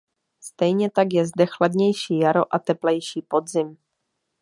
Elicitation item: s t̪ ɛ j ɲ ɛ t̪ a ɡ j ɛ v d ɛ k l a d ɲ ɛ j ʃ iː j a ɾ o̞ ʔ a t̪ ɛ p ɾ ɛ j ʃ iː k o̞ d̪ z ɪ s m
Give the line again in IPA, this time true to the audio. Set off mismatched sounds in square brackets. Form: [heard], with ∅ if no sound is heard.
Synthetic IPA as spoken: s t̪ ɛ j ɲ ɛ t̪ a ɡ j ɛ [z] d ɛ [x] l a d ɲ ɛ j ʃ iː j a ɾ o̞ ʔ a t̪ ɛ p [l] ɛ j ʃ iː [p] o̞ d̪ z ɪ [∅] m